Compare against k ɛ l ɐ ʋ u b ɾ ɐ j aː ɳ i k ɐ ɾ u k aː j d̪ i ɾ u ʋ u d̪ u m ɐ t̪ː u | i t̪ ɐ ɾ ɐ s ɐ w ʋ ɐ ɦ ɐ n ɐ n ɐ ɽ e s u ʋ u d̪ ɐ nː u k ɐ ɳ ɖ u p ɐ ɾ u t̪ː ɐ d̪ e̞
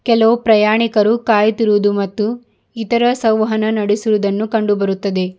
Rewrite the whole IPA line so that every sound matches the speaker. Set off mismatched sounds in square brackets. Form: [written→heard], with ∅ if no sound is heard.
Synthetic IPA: k ɛ l ɐ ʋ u [b→p] ɾ ɐ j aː ɳ i k ɐ ɾ u k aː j [d̪→t̪] i ɾ u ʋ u d̪ u m ɐ t̪ː u | i t̪ ɐ ɾ ɐ s ɐ w ʋ ɐ ɦ ɐ n ɐ n ɐ ɽ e s u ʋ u d̪ ɐ nː u k ɐ ɳ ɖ u [p→b] ɐ ɾ u t̪ː ɐ d̪ e̞